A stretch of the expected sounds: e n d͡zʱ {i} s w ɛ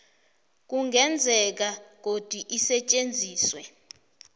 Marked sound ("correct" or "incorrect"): incorrect